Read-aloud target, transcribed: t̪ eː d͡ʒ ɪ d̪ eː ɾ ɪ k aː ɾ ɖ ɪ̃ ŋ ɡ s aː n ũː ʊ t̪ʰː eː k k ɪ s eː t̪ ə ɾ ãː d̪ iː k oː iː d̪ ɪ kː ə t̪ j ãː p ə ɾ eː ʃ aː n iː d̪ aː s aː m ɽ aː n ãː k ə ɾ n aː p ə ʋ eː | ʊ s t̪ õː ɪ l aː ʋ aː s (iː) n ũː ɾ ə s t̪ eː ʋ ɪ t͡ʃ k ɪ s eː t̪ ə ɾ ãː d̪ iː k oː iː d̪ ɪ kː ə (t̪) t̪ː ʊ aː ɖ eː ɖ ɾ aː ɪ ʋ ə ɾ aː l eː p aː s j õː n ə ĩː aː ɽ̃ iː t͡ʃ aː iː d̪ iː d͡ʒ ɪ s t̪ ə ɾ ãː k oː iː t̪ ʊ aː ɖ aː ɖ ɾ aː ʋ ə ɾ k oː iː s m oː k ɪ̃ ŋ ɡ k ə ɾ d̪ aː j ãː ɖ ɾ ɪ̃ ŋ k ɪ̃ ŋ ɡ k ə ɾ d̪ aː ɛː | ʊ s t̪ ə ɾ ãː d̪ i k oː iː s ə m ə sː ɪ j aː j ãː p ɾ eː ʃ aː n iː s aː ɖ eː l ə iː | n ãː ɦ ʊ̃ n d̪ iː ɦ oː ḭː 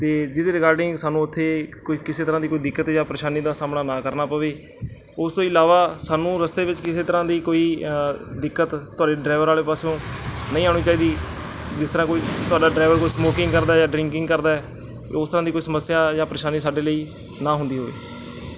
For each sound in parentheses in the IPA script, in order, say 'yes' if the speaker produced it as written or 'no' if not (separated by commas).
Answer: no, yes